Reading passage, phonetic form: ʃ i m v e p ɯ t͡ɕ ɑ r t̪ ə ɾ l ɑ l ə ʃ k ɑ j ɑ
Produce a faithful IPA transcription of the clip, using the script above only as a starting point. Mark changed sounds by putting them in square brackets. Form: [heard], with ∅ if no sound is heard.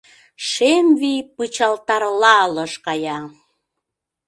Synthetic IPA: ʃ [e] m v [i] p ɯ t͡ɕ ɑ [l] t̪ [ɑ] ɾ l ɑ l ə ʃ k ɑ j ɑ